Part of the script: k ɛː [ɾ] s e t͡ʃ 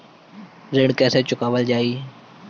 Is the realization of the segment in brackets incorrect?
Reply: yes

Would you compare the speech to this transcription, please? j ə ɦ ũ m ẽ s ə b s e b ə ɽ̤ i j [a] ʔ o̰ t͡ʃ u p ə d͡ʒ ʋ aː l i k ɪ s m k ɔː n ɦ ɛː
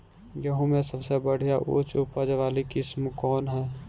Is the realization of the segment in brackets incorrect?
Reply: no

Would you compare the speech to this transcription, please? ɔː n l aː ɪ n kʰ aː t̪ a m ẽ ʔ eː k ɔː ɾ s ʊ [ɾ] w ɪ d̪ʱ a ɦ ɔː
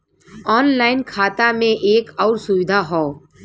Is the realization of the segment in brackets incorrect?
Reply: yes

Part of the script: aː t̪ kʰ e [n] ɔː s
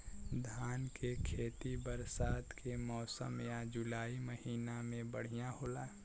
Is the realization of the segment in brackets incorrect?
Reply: yes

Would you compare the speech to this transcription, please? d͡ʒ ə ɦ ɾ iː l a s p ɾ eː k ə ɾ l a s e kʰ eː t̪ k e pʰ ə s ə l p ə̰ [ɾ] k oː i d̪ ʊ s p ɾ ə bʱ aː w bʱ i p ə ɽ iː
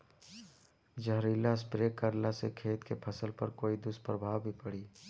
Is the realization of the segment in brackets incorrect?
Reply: no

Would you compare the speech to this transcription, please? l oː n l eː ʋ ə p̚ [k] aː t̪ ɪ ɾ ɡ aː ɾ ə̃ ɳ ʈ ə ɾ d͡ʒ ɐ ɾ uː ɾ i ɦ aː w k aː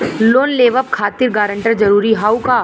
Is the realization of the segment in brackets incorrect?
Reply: yes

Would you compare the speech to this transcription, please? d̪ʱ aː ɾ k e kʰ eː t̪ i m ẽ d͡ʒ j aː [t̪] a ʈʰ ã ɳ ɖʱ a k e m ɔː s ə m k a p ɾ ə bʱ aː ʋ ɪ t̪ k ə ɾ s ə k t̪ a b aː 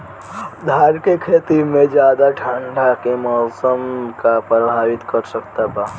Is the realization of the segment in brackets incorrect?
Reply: yes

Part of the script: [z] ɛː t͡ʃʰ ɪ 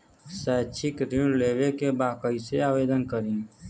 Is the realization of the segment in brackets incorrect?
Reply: yes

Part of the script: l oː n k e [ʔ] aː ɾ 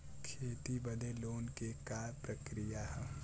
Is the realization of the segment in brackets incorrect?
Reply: yes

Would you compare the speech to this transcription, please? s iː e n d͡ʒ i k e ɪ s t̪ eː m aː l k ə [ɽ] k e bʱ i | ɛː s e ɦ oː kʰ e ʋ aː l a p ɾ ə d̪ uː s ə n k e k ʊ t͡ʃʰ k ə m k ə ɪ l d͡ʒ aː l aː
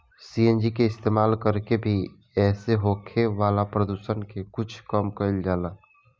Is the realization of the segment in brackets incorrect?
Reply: yes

